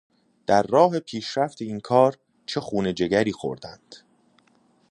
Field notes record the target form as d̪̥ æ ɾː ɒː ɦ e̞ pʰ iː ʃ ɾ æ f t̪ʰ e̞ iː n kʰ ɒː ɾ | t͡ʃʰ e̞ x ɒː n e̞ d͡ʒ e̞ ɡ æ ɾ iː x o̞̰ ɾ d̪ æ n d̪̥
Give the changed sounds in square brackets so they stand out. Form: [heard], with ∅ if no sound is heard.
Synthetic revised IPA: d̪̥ æ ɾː ɒː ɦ e̞ pʰ iː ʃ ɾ æ f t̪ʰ e̞ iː n kʰ ɒː ɾ | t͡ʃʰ e̞ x [uː] n e̞ d͡ʒ e̞ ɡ æ ɾ iː x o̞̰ ɾ d̪ æ n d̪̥